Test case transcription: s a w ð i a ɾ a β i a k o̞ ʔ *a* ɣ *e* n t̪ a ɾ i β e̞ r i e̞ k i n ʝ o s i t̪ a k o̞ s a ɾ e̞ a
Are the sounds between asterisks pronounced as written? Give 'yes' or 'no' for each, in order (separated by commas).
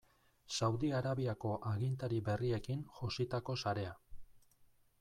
yes, no